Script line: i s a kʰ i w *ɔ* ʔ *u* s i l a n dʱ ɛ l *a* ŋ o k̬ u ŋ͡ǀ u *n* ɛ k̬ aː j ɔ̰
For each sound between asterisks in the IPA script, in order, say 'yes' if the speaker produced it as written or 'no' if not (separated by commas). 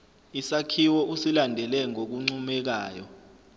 yes, yes, no, no